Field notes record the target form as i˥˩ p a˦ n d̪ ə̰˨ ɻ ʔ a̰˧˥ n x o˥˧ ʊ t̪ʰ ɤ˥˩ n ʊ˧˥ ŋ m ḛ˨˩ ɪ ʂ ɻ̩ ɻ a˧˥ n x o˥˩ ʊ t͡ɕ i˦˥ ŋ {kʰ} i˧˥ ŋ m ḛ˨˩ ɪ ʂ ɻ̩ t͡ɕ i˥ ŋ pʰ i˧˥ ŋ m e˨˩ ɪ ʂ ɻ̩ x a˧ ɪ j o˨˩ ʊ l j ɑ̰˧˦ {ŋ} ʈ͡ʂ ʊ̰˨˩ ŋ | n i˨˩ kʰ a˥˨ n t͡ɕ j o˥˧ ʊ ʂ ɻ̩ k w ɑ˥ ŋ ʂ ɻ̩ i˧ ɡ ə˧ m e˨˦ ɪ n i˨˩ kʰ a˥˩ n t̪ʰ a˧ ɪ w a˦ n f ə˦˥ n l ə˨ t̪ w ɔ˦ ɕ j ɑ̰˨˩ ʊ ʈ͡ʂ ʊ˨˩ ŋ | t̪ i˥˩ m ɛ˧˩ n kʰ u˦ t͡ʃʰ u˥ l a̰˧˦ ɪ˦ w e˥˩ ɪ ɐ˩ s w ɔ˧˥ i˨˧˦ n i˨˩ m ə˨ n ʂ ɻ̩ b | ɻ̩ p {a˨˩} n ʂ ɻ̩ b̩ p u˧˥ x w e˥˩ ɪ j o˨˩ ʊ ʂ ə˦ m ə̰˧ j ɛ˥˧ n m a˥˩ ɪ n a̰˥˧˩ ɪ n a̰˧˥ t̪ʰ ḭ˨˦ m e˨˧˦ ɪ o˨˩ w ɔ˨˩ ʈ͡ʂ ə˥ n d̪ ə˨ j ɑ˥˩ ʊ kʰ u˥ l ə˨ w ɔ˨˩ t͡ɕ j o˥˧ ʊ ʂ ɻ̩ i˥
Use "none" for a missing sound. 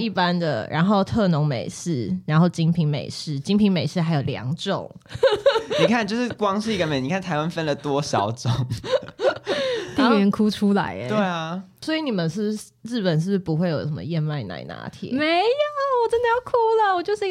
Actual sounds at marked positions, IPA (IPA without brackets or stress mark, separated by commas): pʰ, ŋ, ə˨˩